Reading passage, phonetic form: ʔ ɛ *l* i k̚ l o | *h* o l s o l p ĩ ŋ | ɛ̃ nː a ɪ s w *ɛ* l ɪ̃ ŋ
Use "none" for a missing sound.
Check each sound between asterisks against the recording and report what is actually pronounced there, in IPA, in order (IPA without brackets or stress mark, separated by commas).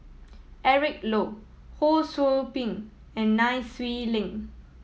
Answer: ɹ, h, i